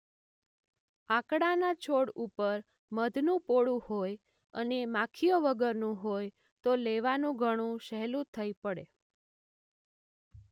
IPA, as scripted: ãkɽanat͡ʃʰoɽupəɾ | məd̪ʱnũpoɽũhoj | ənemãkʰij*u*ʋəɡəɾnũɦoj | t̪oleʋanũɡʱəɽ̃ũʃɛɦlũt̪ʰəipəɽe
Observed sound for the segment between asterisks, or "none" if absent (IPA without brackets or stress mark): o